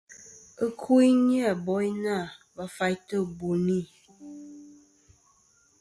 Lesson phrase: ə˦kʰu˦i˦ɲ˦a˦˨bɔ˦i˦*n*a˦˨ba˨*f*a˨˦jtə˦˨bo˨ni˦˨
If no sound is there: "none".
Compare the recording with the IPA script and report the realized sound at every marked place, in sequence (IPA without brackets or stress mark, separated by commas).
n, f